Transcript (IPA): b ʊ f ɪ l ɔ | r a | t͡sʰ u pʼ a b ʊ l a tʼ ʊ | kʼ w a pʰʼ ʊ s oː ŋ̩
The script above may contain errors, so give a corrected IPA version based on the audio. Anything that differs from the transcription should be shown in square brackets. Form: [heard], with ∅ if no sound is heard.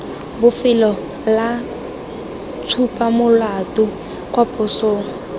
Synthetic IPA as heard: b ʊ f ɪ l ɔ | [l] a | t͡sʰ u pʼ a [m] ʊ l a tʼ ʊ | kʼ w a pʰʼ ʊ s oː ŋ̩